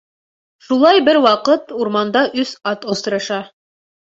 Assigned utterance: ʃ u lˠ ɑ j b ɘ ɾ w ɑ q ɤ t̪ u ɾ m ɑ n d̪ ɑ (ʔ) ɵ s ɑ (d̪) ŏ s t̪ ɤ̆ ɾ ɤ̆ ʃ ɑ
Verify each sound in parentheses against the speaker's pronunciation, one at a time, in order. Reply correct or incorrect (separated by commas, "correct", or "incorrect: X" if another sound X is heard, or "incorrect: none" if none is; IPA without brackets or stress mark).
correct, incorrect: t̪